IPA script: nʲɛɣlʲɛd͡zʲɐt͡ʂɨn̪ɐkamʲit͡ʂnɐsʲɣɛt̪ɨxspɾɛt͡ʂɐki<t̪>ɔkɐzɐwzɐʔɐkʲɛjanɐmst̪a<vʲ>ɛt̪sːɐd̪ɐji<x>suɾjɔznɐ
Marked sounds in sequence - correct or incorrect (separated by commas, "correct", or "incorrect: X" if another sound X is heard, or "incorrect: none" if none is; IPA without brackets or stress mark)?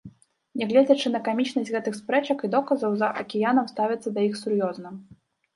incorrect: d̪, correct, correct